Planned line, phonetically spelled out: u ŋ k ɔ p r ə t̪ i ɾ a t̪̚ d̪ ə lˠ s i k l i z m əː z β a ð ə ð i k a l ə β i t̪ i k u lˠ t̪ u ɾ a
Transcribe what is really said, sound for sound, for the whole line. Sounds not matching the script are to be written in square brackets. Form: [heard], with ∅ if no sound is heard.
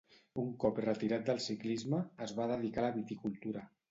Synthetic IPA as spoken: u ŋ k ɔ p r ə t̪ i ɾ a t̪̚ d̪ ə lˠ s i k l i z m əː z β a ð ə ð i k a l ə β i t̪ i k u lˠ t̪ u ɾ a